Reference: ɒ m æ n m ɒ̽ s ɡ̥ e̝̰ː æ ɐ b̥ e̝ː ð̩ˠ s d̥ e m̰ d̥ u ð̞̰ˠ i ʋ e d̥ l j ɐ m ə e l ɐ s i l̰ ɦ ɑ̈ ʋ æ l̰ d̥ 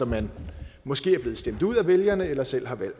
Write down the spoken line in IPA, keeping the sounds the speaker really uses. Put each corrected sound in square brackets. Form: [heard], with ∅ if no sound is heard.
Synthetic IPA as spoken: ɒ m æ n m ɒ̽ s ɡ̥ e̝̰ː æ ɐ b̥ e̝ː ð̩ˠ s d̥ e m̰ d̥ u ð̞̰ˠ [æ] ʋ e [∅] l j ɐ [n] ə e l ɐ s [e] l̰ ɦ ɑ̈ ʋ æ l̰ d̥